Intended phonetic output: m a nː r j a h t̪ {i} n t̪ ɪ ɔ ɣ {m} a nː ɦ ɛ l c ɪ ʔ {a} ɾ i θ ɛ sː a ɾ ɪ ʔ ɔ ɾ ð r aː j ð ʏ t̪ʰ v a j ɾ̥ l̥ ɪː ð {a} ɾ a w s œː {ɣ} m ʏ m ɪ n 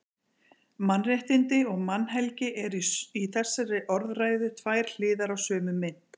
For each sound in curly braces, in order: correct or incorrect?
incorrect: ɪ, correct, incorrect: ɛ, correct, incorrect: none

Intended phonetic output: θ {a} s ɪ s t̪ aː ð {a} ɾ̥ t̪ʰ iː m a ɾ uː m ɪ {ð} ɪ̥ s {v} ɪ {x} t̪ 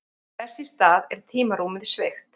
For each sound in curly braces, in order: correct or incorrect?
incorrect: ɛ, incorrect: ɛ, correct, correct, correct

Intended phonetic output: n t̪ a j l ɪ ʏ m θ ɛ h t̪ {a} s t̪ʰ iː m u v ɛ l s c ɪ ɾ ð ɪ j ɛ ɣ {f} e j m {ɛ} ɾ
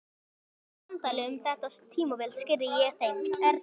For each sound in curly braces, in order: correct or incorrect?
correct, incorrect: θ, correct

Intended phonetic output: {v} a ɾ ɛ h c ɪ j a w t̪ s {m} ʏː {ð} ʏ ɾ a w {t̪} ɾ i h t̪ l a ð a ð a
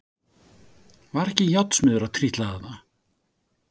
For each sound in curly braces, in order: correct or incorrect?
correct, correct, correct, incorrect: t̪ʰ

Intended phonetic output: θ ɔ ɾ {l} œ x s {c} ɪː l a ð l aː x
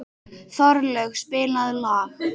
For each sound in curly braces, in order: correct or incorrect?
correct, incorrect: p

